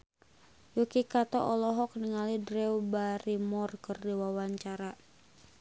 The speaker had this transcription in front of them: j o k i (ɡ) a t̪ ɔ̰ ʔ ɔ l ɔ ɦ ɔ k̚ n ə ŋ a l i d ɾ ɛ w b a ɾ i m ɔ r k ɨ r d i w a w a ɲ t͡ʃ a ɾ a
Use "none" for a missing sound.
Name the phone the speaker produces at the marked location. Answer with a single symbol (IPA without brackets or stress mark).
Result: k